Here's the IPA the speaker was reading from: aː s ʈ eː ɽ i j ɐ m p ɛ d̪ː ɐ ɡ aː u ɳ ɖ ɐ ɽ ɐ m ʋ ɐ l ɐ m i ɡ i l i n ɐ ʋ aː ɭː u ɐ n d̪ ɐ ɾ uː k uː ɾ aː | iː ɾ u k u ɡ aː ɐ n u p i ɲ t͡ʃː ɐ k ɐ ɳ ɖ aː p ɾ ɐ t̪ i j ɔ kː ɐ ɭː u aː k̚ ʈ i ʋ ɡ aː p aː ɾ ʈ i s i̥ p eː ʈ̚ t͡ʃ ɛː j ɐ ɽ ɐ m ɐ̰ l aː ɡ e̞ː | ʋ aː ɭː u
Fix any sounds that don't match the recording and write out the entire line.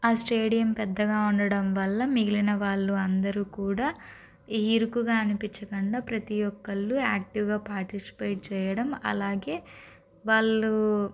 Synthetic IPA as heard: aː s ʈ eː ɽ i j ɐ m p ɛ d̪ː ɐ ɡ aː u ɳ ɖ ɐ ɽ ɐ m ʋ ɐ lː ɐ m i ɡ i l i n ɐ ʋ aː ɭː u ɐ n d̪ ɐ ɾ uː k uː ɽ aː | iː ɾ u k u ɡ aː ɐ n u p i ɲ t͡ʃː ɐ k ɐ ɳ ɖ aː p ɾ ɐ t̪ i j ɔ kː ɐ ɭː u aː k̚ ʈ i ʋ ɡ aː p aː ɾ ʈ i s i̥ p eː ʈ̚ t͡ʃ ɛː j ɐ ɽ ɐ m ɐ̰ l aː ɡ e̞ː | ʋ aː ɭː u